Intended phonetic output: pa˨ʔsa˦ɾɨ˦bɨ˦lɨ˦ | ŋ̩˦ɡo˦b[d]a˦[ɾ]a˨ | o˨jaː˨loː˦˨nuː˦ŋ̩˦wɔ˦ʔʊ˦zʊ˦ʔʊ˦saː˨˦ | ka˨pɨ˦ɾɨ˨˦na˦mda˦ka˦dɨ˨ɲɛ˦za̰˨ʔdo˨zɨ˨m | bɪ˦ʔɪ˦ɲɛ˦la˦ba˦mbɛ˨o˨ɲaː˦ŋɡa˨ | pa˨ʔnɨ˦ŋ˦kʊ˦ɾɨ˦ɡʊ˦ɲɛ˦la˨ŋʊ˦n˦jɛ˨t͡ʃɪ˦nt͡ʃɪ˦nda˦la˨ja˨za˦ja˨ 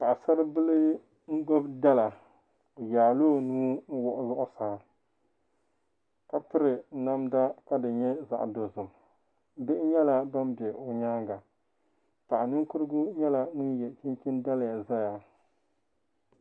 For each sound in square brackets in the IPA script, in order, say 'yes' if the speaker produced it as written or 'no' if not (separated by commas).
yes, no